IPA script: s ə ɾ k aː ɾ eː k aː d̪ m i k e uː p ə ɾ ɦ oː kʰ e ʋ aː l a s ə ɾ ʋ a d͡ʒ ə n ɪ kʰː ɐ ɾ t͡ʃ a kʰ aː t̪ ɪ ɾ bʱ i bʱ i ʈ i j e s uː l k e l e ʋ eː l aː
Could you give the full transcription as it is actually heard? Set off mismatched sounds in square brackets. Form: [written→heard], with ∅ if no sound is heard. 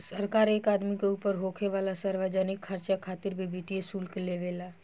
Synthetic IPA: s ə ɾ k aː ɾ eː k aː d̪ m i k e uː p ə ɾ ɦ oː kʰ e ʋ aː l a s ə ɾ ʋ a d͡ʒ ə n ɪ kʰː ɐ ɾ t͡ʃ a kʰ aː t̪ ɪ ɾ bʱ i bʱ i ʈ i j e s uː l k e l e ʋ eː l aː